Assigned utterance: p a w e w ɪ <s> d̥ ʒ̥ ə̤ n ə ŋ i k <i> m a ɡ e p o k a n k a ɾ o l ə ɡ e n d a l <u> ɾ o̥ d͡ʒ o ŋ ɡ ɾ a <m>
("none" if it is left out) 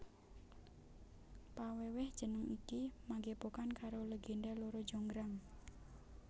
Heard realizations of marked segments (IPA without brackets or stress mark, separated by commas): h, i, o, ŋ